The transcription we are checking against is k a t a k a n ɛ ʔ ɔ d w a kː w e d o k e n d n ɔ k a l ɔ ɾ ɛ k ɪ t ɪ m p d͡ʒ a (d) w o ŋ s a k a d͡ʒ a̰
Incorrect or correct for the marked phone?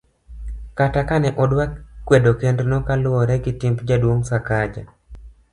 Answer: correct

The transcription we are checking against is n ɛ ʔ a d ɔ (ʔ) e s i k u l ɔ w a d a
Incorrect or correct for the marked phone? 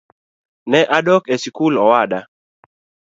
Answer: incorrect: k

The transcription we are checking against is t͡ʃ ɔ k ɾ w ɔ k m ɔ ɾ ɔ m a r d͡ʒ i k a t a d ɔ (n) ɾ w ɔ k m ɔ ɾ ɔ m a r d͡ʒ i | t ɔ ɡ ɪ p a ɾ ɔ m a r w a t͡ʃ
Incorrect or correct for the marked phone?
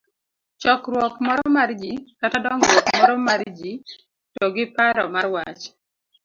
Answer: incorrect: ŋ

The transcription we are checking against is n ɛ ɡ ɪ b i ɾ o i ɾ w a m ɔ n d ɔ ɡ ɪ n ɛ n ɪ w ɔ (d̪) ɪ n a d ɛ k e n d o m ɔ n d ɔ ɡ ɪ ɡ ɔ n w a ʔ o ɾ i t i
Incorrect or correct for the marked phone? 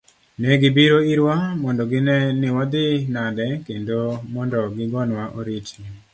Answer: correct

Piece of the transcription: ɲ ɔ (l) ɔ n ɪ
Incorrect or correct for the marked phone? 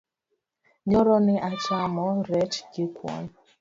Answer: incorrect: ɾ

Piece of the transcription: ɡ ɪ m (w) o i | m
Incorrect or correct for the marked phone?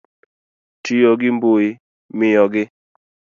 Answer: incorrect: b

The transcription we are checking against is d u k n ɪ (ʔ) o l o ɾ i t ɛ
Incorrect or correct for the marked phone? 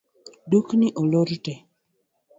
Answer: correct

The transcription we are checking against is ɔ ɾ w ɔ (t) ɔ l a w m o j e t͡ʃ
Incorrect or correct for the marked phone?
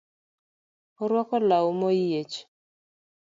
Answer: incorrect: k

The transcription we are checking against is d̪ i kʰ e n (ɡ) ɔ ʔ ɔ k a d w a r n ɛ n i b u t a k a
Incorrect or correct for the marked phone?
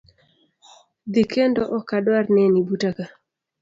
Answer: incorrect: d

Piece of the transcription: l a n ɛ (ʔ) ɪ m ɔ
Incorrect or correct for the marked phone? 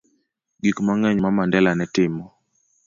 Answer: incorrect: t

